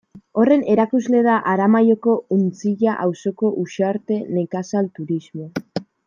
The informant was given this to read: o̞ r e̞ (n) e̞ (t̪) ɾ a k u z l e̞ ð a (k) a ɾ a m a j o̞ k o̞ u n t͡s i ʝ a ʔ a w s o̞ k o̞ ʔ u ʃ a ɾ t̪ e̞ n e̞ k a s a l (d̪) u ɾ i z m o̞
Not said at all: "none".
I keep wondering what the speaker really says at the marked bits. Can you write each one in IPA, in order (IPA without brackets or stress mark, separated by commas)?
n, none, ʔ, t̪